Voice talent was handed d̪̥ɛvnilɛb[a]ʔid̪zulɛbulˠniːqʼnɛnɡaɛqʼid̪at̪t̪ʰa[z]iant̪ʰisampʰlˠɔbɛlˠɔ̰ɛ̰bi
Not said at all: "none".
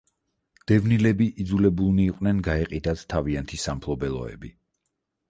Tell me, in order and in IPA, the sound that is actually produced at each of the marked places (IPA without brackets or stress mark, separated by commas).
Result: i, v